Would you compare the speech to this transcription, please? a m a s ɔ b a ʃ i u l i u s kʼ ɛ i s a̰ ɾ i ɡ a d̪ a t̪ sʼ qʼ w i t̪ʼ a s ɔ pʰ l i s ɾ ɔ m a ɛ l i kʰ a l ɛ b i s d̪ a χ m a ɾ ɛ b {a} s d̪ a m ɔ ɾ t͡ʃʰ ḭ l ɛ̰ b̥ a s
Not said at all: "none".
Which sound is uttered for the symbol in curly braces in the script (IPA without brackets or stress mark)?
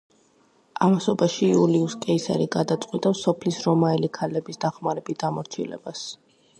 i